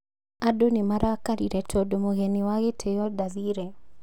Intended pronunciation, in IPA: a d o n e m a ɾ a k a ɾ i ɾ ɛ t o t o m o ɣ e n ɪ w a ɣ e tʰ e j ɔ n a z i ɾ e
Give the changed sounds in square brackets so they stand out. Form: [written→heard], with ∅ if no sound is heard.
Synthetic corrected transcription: a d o n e m a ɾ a k a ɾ i ɾ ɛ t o [t→d] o m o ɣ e n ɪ w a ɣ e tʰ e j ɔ [n→d] a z i ɾ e